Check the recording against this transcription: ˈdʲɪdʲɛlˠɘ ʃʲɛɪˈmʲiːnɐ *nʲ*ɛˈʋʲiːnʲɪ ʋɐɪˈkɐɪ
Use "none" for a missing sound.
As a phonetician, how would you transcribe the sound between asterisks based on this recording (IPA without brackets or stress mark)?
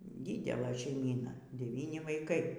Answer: dʲ